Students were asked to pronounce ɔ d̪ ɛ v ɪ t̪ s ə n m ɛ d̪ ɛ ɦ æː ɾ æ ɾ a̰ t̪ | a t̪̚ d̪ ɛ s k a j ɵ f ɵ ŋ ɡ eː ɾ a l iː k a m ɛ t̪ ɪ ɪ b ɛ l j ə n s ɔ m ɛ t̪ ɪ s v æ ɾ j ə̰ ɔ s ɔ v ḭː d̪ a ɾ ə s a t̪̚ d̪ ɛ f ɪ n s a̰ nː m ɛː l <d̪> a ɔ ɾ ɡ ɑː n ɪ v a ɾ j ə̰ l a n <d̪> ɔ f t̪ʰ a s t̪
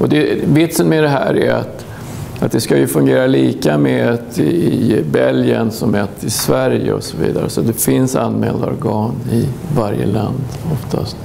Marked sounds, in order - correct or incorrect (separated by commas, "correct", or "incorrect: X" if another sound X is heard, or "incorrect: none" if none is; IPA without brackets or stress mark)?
correct, correct